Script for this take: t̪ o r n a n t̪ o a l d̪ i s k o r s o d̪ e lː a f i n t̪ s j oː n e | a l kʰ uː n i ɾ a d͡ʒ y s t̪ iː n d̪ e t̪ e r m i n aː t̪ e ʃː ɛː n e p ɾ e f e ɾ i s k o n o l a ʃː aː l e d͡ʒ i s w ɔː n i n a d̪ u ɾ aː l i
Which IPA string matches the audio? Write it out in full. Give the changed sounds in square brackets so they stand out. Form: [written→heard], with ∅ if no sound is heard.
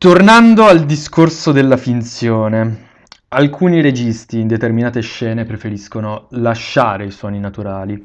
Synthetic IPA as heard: t̪ o r n a n [t̪→d̪] o a l d̪ i s k o r s o d̪ e lː a f i n t̪ s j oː n e | a l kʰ uː n i ɾ [a→e] d͡ʒ [y→i] s t̪ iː n d̪ e t̪ e r m i n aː t̪ e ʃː ɛː n e p ɾ e f e ɾ i s k o n o l a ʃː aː [l→ɾ] e [d͡ʒ→∅] i s w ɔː n i n a [d̪→t̪] u ɾ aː l i

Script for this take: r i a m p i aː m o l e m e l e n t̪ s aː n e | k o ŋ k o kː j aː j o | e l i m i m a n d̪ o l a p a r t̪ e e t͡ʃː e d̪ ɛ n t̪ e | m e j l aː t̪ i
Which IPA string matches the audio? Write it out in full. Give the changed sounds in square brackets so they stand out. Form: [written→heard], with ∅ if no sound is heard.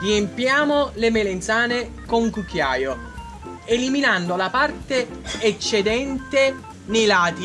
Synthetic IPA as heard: r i [a→e] m p [i→j] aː m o l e m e l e n t̪ s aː n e | k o ŋ k [o→u] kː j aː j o | e l i m i [m→n] a n d̪ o l a p a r t̪ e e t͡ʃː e d̪ ɛ n t̪ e | [m→n] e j l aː t̪ i

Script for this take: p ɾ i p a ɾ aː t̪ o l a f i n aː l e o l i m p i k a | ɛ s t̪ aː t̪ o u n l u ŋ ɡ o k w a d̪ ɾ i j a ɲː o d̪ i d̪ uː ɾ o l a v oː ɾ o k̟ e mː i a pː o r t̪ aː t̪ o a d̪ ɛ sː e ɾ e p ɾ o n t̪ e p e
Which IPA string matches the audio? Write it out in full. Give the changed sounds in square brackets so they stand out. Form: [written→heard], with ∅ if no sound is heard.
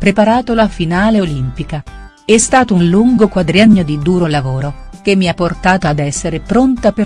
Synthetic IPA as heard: p ɾ [i→e] p a ɾ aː t̪ o l a f i n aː l e o l i m p i k a | ɛ s t̪ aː t̪ o u n l u ŋ ɡ o k w a d̪ ɾ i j a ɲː o d̪ i d̪ uː ɾ o l a v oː ɾ o k̟ e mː i a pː o r t̪ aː t̪ o a d̪ ɛ sː e ɾ e p ɾ o n t̪ [e→a] p e

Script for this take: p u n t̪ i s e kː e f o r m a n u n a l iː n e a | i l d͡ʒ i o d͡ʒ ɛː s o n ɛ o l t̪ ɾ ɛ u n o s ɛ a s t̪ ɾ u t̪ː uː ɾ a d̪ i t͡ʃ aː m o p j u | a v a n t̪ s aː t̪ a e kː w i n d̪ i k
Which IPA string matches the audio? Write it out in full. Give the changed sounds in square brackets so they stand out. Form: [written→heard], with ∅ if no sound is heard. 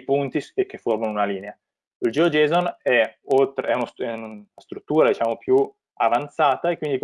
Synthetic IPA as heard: p u n t̪ i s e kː e f o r m a n u n a l iː n e a | i l d͡ʒ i o d͡ʒ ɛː [s→z] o n ɛ o l t̪ ɾ ɛ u n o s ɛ a s t̪ ɾ u t̪ː uː ɾ a d̪ i t͡ʃ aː m o p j u | a v a n t̪ s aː t̪ a e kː w i n d̪ i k

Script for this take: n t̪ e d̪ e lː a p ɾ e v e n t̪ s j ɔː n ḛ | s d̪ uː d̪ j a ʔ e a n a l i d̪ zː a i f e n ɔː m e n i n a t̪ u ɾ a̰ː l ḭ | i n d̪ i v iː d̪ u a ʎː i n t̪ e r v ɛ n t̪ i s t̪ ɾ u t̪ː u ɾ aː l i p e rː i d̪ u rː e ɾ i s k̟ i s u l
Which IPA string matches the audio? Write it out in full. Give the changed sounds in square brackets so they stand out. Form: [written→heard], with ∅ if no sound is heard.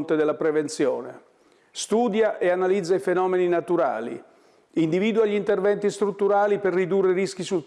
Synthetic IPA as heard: n t̪ e d̪ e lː a p ɾ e v e n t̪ s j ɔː n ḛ | s [d̪→t̪] uː d̪ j a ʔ e a n a l i d̪ zː a i f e n ɔː m e n i n a t̪ u ɾ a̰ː l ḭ | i n d̪ i v iː d̪ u a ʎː i n t̪ e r v ɛ n t̪ i s t̪ ɾ u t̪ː u ɾ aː l i p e rː i d̪ u rː e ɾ i s k̟ i s u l

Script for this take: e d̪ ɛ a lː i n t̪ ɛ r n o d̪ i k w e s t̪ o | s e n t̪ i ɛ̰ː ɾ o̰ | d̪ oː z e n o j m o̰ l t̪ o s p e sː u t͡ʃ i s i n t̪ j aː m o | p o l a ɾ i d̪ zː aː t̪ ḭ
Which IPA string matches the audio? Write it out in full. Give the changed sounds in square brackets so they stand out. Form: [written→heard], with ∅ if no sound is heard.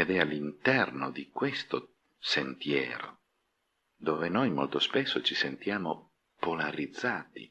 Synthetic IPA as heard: e d̪ ɛ a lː i n t̪ ɛ r n o d̪ i k w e s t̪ o | s e n t̪ [i→j] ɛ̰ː ɾ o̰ | d̪ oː [z→v] e n o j m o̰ l t̪ o s p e sː [u→o] t͡ʃ i s [i→e] n t̪ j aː m o | p o l a ɾ i d̪ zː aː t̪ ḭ

